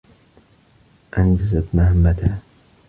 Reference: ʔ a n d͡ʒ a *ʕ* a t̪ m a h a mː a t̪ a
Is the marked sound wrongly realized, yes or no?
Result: yes